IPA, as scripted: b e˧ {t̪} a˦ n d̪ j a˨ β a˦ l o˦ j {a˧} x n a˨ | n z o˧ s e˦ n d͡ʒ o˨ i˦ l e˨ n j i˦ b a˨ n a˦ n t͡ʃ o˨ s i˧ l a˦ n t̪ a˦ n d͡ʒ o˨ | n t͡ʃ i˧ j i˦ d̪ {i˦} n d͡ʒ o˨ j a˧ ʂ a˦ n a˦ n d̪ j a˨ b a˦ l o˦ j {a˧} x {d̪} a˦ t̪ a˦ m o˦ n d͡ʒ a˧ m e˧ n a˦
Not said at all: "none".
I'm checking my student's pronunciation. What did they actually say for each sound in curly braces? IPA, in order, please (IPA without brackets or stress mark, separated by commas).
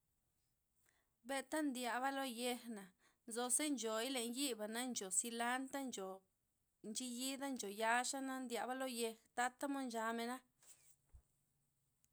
t̪, e˧, a˦, e˧, t̪